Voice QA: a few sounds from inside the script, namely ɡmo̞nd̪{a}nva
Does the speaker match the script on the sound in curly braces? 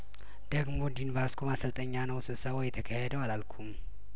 no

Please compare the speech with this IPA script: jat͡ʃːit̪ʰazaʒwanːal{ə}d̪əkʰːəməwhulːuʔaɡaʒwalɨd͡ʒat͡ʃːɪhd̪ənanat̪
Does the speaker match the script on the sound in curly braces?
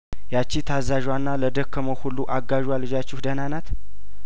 yes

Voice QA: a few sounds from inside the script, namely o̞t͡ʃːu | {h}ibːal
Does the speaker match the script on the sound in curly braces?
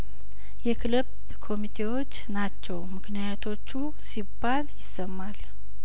no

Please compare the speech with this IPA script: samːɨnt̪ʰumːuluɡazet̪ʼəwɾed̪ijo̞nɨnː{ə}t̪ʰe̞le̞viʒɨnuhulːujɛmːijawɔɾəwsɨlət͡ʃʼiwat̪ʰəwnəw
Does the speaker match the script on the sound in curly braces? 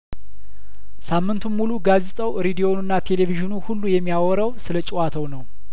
no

